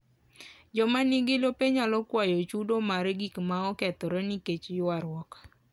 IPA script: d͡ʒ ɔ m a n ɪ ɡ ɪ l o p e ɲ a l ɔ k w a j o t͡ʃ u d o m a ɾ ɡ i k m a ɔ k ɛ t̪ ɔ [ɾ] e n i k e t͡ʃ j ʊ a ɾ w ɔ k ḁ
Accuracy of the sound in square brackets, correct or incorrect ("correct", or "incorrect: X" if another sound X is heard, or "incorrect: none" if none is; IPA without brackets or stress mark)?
correct